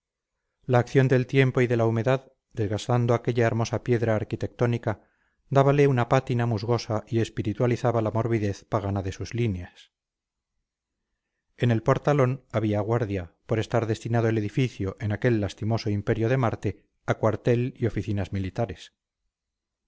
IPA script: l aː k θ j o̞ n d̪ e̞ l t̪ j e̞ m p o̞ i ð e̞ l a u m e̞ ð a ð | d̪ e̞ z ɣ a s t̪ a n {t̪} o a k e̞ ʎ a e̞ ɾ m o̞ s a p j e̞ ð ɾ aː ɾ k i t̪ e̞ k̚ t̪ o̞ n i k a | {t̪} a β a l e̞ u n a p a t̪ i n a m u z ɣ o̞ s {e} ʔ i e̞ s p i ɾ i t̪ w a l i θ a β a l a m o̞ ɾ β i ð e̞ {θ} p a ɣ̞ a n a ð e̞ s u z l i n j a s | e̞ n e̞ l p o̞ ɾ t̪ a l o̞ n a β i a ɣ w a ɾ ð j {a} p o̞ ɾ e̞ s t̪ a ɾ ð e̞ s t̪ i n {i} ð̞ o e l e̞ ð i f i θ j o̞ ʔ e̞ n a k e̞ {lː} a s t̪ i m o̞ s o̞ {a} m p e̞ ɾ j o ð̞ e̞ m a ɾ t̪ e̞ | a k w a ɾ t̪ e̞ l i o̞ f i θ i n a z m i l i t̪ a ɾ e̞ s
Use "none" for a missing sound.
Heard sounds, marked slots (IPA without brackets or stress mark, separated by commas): d̪, d̪, a, θ, a, a, lː, i